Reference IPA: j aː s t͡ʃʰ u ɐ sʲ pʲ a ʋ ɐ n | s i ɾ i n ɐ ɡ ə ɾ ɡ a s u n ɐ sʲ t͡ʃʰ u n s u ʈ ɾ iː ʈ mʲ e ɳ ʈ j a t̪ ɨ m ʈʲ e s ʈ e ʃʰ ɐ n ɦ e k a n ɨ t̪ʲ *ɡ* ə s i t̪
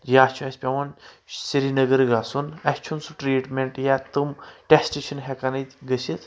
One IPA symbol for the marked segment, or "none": ɡ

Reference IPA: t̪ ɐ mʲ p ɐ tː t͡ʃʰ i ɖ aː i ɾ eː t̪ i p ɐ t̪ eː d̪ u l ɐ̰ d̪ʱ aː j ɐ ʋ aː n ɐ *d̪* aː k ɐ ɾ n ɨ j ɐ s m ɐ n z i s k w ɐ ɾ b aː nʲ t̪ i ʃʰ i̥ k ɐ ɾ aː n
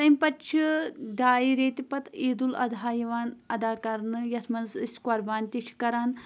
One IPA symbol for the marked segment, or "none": d̪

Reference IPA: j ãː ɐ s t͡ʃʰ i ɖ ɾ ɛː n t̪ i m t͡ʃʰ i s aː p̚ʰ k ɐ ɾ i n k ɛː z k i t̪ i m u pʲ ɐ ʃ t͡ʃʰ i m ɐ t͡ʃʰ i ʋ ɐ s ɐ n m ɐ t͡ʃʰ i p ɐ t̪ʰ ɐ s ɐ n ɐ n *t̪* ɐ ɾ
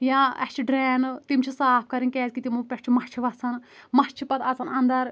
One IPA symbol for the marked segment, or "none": d̪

